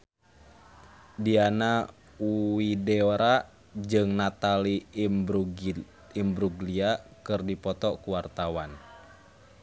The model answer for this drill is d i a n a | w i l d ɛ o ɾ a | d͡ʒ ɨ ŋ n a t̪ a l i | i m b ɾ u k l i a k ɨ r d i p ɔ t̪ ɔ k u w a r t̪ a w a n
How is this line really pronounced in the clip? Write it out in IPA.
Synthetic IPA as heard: d i a n a | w i d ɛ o ɾ a | d͡ʒ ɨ ŋ n a t̪ a l i | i m b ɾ u ɡ l i a k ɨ r d i p ɔ t̪ ɔ k u w a r t̪ a w a n

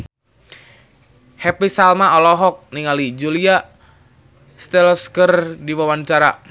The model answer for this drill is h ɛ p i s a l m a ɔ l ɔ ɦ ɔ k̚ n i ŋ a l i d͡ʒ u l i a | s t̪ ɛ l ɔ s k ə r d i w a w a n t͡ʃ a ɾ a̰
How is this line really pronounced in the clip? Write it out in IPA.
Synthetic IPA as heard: h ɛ p i s a l m a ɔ l ɔ ɦ ɔ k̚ n i ŋ a l i d͡ʒ u l i a | s t̪ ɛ l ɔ s k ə r d i w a w a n t͡ʃ a ɾ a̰

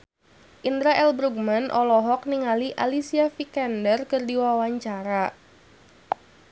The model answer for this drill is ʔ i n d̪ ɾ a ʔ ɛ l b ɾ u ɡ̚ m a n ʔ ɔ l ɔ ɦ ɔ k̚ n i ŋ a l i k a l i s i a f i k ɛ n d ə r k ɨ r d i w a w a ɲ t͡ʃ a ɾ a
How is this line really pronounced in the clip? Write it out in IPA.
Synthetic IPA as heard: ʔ i n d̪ ɾ a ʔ ɛ l b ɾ u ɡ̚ m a n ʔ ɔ l ɔ ɦ ɔ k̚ n i ŋ a l i ʔ a l i s i a f i k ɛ n d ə r k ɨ r d i w a w a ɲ t͡ʃ a ɾ a

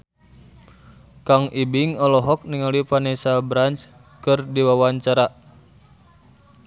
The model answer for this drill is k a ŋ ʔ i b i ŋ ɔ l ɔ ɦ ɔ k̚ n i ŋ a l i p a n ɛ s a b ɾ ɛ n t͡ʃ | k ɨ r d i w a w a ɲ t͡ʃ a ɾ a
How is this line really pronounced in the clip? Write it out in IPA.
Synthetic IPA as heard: k a ŋ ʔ i b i ŋ ɔ l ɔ ɦ ɔ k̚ n i ŋ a l i p a n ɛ s a b ɾ a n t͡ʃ | k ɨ r d i w a w a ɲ t͡ʃ a ɾ a

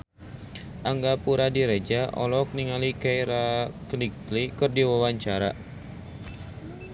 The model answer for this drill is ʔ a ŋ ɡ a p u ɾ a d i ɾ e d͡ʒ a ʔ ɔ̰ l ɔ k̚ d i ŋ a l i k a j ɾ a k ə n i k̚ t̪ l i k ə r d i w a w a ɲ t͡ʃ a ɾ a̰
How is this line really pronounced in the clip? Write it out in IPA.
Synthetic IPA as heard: ʔ a ŋ ɡ a p u ɾ a d i ɾ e d͡ʒ a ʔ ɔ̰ l ɔ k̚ n i ŋ a l i k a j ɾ a k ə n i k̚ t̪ l i k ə r d i w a w a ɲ t͡ʃ a ɾ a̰

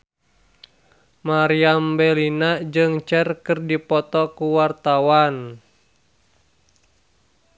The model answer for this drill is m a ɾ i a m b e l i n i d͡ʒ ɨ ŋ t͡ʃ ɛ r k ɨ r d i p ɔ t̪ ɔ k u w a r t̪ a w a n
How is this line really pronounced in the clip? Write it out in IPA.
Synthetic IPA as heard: m a ɾ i a m b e l i n a d͡ʒ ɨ ŋ t͡ʃ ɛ r k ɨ r d i p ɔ t̪ ɔ k u w a r t̪ a w a n

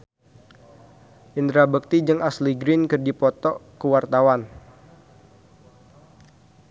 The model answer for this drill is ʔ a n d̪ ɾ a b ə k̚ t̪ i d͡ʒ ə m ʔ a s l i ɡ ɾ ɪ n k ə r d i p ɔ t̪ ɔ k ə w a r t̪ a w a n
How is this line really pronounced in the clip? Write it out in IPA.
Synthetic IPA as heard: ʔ i n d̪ ɾ a b ə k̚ t̪ i d͡ʒ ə ŋ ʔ a s l i ɡ ɾ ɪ n k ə r d i p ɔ t̪ ɔ k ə w a r t̪ a w a n

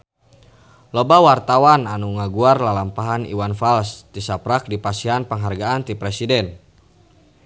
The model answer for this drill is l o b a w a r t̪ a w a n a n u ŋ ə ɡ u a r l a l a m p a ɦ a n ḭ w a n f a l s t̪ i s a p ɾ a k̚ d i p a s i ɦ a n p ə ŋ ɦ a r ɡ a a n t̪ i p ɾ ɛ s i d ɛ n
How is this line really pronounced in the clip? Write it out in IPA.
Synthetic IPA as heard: l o b a w a r t̪ a w a n a n u ŋ a ɡ u a r l a l a m p a ɦ a n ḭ w a n f a l s t̪ i s a p ɾ a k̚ d i p a s i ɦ a n p ə ŋ ɦ a r ɡ a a n t̪ i p ɾ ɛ s i d ɛ n

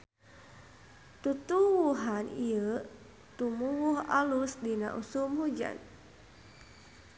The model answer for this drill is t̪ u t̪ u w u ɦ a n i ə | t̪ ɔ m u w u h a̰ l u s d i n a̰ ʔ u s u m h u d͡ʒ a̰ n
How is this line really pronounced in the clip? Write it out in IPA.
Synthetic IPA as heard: t̪ u t̪ u w u ɦ a n i ə | t̪ u m u w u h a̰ l u s d i n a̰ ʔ u s u m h u d͡ʒ a̰ n

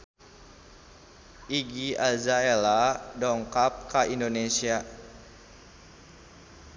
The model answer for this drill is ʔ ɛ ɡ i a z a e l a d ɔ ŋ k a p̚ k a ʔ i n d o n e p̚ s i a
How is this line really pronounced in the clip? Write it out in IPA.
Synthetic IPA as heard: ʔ i ɡ i a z a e l a d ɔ ŋ k a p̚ k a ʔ i n d o n e s i a

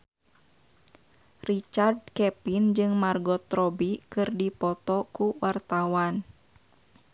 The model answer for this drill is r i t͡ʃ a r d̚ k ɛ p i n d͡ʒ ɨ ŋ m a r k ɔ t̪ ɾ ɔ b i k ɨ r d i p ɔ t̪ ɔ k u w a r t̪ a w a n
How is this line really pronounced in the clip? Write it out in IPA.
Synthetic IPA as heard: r i t͡ʃ a r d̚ k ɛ p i n d͡ʒ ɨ ŋ m a r ɡ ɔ t̪ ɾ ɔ b i k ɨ r d i p ɔ t̪ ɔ k u w a r t̪ a w a n

